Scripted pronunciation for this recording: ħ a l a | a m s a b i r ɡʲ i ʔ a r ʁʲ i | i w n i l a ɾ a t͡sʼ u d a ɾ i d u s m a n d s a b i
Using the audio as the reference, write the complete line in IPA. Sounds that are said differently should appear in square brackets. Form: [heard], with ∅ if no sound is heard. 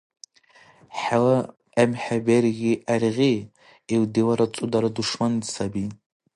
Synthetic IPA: ħ a l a | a m [ħ] a b [e] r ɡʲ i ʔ a r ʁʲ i | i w [d] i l a ɾ a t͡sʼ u d a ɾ [a] d u [ʂ] m a n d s a b i